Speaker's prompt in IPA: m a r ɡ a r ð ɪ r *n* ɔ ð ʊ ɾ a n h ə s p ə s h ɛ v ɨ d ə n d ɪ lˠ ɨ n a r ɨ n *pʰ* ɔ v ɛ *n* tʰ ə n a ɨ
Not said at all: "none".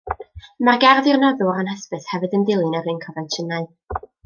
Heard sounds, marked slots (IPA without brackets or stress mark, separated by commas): n, kʰ, n